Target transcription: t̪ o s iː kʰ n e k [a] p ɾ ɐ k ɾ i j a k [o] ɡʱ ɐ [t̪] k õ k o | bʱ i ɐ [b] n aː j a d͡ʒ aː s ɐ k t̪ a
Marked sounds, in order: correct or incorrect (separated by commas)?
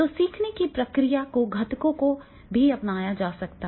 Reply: incorrect, correct, correct, incorrect